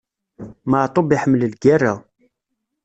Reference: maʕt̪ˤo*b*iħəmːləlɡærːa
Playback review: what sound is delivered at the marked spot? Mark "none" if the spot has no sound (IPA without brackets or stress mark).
b